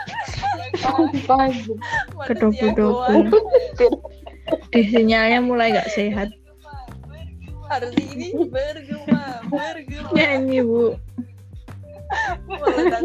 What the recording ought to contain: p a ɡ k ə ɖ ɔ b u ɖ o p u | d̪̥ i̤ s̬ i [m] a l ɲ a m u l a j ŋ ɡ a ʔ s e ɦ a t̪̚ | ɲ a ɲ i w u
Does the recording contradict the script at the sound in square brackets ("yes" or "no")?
yes